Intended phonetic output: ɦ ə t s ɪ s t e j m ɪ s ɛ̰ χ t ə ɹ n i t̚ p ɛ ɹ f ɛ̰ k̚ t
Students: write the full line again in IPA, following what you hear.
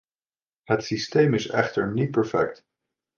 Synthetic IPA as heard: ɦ ə t s i s t e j m ɪ s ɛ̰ χ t ə ɹ n i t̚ p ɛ ɹ f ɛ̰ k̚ t